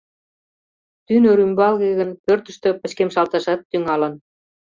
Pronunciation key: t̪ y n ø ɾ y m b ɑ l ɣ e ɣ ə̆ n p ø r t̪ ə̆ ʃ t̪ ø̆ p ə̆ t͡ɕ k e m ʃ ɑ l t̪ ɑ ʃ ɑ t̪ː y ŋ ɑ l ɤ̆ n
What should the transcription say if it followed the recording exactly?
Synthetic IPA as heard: t̪ y n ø ɾ y m b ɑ l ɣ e ɣ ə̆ n p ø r t̪ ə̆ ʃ t̪ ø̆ p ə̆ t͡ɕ k e m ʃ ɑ l t̪ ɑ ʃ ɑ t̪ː y ŋ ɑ l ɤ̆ n